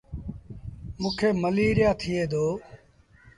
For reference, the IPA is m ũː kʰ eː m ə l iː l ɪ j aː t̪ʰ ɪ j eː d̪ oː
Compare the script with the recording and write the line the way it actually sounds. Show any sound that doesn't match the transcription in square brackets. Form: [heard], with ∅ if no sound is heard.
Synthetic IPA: m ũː kʰ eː m ə l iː [ɾ] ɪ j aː t̪ʰ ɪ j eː d̪ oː